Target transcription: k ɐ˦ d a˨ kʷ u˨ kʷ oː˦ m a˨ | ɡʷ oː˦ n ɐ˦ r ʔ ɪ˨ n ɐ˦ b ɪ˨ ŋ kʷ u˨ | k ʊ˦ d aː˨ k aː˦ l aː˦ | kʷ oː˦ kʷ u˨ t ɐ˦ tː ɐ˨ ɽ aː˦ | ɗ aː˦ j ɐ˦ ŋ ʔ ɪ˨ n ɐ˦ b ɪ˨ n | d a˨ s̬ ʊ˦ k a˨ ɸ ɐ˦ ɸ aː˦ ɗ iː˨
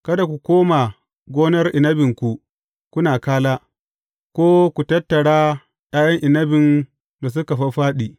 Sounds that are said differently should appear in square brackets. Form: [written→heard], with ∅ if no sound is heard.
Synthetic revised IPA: k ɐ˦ d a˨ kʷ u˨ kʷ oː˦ m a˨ | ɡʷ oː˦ n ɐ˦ r ʔ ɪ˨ n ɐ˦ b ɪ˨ ŋ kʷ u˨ | k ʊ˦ [d→n] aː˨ k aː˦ l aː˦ | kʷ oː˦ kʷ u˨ t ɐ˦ tː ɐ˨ ɽ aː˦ | ɗ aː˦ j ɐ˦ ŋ ʔ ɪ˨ n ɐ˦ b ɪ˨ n | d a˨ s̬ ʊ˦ k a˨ ɸ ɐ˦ ɸ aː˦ ɗ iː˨